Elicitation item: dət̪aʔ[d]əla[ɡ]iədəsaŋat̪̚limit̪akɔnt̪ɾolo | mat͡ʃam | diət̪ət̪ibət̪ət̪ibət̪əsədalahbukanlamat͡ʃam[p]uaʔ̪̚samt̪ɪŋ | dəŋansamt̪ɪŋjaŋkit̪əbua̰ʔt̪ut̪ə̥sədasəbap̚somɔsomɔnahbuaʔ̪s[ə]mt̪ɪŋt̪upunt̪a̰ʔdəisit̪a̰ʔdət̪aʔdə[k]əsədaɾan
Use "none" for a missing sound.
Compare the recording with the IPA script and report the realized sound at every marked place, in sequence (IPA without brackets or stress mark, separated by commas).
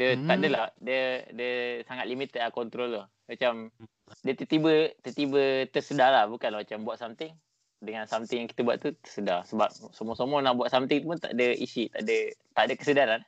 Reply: d, d, b, a, k